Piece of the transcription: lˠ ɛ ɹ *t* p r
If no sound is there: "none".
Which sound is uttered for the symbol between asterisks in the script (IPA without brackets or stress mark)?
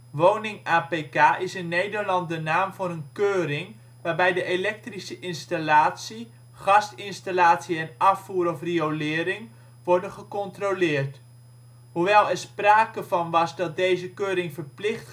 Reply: s